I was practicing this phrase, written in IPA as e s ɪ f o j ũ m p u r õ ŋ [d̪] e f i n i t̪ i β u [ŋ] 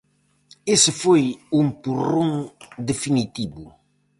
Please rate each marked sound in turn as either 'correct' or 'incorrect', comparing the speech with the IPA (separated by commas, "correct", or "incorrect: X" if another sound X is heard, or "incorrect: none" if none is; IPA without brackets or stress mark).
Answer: correct, incorrect: none